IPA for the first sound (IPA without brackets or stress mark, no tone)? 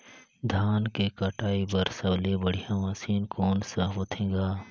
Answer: d̪ʱ